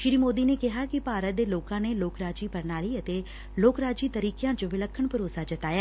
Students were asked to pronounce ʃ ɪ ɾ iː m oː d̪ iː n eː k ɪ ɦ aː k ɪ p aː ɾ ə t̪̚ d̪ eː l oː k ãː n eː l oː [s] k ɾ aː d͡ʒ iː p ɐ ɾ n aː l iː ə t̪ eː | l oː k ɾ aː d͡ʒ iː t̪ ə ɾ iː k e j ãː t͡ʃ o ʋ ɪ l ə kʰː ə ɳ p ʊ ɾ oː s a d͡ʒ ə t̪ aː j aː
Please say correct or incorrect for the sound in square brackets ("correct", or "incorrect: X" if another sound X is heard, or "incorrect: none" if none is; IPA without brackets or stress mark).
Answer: incorrect: none